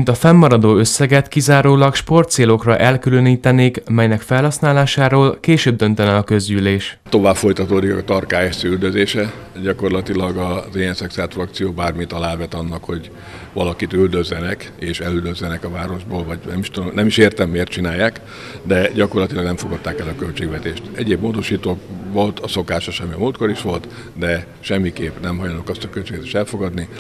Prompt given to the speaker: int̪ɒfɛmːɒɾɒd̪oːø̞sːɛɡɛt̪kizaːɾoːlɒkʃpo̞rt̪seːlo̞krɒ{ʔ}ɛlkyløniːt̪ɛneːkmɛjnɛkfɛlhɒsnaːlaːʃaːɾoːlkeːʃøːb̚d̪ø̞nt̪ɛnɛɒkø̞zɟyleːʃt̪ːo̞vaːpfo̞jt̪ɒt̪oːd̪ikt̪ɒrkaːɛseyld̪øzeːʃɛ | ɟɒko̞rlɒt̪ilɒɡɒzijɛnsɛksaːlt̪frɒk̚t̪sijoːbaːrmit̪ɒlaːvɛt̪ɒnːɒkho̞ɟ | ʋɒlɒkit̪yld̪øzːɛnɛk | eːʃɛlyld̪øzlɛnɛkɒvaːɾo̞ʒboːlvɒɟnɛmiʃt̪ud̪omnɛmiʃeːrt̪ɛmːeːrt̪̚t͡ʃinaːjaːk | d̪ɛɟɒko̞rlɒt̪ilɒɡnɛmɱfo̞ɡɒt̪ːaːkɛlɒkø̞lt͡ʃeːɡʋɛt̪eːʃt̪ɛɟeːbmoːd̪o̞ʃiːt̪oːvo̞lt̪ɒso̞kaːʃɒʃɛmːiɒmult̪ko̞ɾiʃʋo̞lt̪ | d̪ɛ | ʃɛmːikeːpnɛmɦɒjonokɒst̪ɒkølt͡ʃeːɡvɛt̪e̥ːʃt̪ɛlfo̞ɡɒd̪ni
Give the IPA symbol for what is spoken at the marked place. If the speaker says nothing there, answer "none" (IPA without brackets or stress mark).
ʔ